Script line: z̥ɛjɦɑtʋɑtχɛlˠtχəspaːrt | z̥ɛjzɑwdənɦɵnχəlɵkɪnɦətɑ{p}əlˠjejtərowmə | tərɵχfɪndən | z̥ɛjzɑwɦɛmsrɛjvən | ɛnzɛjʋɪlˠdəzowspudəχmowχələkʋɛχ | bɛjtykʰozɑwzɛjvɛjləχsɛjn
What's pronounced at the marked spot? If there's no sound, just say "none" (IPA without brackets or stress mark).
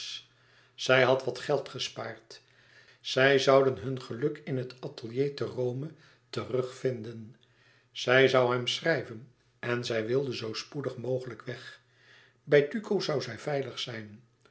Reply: t